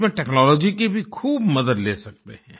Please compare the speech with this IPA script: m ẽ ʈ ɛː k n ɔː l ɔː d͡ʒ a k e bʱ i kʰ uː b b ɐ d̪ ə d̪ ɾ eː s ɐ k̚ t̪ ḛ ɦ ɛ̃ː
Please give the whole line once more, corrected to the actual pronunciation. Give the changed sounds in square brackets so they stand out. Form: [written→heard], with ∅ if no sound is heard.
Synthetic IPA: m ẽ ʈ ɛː k n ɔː l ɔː d͡ʒ [a→i] k e bʱ i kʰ uː b [b→m] ɐ d̪ ə d̪ [ɾ→l] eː s ɐ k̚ t̪ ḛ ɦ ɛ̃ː